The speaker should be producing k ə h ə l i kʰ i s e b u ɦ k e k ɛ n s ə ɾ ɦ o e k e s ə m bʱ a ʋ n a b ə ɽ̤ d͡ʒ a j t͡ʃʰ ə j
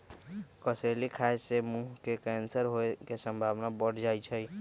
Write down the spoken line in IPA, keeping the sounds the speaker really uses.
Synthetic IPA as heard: k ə s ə l i kʰ a s e m u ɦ k e k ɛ n s ə ɾ ɦ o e k e s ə m bʱ a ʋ n a b ə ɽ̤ d͡ʒ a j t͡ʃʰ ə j